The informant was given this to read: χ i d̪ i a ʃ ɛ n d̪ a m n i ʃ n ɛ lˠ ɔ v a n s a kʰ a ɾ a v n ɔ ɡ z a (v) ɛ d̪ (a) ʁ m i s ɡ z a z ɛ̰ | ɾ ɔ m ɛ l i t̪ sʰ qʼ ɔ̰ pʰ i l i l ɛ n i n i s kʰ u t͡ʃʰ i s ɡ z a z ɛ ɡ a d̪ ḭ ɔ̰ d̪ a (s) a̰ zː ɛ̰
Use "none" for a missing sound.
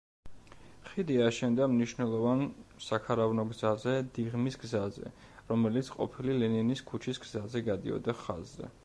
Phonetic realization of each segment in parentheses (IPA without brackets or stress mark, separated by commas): z, i, χ